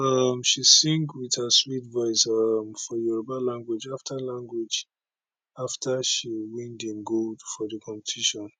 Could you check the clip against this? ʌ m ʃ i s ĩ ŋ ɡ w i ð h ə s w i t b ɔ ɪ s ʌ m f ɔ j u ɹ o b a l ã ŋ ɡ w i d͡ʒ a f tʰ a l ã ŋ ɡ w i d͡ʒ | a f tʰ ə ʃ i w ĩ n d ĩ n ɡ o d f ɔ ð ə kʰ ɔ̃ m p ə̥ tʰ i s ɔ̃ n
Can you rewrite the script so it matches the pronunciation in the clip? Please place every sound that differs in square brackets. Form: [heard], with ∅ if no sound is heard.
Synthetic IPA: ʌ m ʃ i s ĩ ŋ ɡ w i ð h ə s w i t [v] ɔ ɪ s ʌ m f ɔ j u ɹ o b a l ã ŋ ɡ w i d͡ʒ a f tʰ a l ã ŋ ɡ w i d͡ʒ | a f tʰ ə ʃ i w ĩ n d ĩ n ɡ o d f ɔ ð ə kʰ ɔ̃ m p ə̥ tʰ i [ʃ] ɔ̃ n

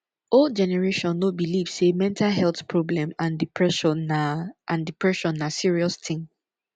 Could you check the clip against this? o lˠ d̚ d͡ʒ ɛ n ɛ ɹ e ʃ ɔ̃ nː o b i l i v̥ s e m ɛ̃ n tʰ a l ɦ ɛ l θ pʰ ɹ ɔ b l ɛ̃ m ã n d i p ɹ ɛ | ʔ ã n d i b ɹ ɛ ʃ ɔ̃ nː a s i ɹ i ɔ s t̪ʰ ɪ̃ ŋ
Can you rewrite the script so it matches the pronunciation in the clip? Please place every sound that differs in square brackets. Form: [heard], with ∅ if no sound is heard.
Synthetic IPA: o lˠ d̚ d͡ʒ ɛ n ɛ ɹ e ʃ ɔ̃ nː o b i l i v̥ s e m ɛ̃ n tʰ a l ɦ ɛ l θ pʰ ɹ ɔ b l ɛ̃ m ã n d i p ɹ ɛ | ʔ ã n d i [p] ɹ ɛ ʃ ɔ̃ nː a s i ɹ i ɔ s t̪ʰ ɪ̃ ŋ

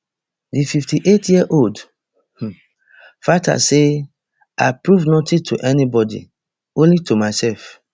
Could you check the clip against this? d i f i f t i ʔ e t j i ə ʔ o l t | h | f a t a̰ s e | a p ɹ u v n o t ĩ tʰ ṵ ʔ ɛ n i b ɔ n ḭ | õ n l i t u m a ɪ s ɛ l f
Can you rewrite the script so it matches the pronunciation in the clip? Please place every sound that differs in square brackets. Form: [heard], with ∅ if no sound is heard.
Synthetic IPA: d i f i f t i ʔ e t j i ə ʔ o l [d] | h | f a t a̰ s e | a p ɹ u v n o t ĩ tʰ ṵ ʔ ɛ n i b ɔ [d] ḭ | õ n l i t u m a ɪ s ɛ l f

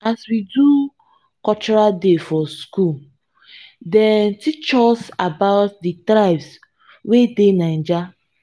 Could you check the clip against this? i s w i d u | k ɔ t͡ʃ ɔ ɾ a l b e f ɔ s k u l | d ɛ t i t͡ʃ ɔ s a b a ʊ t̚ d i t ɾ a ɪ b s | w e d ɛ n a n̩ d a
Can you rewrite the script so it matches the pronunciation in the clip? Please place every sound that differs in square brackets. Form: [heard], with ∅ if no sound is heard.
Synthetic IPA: [a] s w i d u | k ɔ t͡ʃ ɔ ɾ a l [d] e f ɔ s k u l | d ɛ t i t͡ʃ ɔ s a b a ʊ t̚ d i t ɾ a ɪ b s | w e d [e] n a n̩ [d͡ʒ] a

